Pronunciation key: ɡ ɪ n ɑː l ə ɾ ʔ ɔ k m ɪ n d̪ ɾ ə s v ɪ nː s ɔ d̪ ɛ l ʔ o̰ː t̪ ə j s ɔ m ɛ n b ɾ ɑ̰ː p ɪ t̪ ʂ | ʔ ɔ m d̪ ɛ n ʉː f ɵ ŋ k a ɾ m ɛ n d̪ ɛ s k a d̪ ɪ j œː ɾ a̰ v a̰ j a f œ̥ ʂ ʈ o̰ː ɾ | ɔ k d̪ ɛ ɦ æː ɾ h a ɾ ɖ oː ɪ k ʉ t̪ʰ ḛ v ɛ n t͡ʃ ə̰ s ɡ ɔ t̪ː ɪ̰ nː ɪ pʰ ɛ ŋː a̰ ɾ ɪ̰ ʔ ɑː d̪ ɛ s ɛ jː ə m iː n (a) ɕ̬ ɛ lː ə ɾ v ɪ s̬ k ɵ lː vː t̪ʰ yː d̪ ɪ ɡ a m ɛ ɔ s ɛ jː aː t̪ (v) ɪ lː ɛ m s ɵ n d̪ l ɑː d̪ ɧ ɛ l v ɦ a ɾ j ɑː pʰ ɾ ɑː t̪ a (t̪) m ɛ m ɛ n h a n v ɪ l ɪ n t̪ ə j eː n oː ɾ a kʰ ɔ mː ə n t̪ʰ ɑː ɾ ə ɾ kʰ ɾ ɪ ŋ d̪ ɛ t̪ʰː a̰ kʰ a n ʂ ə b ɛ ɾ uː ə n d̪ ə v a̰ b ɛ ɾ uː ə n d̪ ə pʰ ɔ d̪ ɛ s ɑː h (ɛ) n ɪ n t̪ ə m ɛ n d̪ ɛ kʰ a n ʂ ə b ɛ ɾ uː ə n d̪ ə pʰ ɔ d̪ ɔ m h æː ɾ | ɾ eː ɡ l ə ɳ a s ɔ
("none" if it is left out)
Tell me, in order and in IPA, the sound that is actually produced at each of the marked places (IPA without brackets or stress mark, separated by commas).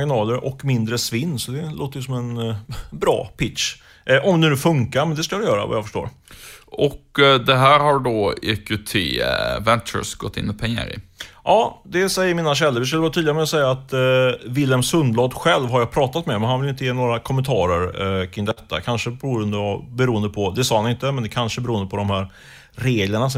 a, v, t̪, a